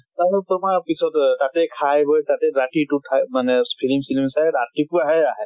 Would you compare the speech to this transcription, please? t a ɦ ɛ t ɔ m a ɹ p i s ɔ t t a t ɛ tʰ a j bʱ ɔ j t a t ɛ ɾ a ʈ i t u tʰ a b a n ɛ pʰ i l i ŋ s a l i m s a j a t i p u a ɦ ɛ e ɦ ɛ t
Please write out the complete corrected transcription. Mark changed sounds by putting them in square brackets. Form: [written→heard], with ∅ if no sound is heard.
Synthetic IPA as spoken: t a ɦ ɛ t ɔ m a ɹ p i s ɔ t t a t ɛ [tʰ→kʰ] a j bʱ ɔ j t a t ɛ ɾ a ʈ i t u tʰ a [b→m] a n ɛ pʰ i l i [ŋ→m] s [a→i] l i m s a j a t i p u a ɦ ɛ [e→a] ɦ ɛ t